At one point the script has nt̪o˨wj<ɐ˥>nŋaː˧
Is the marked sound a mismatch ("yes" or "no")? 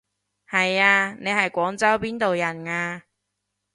yes